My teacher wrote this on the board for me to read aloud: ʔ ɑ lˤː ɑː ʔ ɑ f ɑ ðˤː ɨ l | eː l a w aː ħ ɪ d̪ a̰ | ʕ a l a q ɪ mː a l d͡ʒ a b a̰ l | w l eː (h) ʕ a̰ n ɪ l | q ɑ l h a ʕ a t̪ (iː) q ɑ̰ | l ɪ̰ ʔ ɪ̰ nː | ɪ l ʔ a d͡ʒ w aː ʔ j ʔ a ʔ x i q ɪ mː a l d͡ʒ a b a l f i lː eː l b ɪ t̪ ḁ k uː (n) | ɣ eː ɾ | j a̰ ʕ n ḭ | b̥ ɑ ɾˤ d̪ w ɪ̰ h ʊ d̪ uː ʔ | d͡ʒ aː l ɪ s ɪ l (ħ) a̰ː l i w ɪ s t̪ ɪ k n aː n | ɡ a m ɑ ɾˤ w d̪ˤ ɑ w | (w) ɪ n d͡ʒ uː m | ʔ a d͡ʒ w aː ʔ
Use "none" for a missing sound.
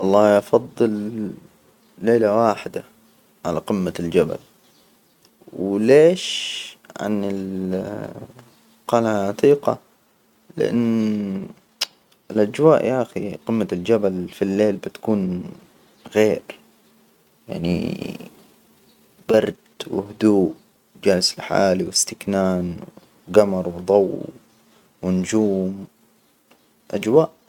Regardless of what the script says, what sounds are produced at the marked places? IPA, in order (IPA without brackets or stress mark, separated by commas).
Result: ʃ, iː, n, ħ, w